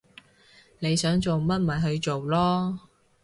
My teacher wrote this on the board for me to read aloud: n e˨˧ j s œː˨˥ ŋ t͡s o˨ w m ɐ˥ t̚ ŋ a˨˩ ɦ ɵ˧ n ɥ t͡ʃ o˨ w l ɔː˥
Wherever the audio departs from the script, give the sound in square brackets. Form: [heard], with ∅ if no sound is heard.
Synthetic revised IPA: n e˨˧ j s œː˨˥ ŋ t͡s o˨ w m ɐ˥ t̚ [m] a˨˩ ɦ ɵ˧ [∅] ɥ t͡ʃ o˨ w l ɔː˥